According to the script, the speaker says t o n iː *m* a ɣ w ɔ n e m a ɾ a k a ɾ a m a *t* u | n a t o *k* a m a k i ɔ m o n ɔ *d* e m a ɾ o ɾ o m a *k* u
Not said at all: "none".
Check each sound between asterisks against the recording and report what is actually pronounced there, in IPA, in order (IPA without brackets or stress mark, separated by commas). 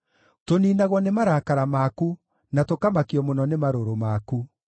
n, k, k, n, k